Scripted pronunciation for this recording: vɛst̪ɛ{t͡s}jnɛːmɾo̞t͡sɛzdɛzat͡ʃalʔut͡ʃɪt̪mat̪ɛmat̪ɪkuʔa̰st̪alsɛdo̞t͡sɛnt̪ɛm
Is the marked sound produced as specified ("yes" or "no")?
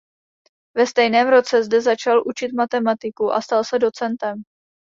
no